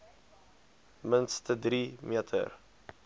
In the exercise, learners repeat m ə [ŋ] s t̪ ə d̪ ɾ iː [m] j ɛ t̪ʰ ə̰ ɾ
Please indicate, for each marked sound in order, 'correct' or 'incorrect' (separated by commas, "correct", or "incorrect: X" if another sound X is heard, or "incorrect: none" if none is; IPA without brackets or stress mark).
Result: incorrect: n, correct